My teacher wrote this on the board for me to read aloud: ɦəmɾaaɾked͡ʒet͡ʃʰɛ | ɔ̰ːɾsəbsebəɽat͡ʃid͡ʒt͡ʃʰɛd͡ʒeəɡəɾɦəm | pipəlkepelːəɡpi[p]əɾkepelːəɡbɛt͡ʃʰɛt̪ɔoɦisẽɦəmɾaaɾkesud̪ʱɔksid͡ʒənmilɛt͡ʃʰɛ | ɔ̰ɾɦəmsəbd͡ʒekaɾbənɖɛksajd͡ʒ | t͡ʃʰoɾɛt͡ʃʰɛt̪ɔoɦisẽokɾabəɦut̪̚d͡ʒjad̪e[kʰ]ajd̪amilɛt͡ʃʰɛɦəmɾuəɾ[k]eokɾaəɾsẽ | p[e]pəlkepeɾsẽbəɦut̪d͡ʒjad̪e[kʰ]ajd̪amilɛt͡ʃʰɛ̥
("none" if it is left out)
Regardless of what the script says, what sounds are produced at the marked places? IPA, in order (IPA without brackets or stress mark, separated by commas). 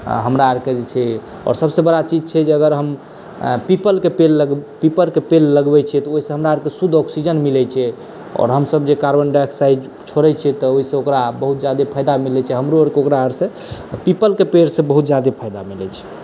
p, pʰ, k, i, pʰ